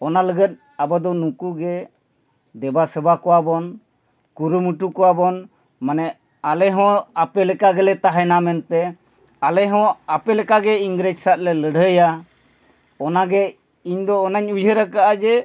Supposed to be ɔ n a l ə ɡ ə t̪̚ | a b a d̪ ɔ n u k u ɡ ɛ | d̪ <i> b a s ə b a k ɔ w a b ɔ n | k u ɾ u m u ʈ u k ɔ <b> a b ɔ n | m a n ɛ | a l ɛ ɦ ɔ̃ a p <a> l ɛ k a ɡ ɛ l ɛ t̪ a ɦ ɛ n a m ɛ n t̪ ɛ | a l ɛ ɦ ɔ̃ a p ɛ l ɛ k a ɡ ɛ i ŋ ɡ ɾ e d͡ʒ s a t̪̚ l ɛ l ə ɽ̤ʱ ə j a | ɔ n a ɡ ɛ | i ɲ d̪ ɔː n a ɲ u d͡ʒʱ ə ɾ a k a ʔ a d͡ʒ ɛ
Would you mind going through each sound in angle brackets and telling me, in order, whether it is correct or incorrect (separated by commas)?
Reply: incorrect, incorrect, incorrect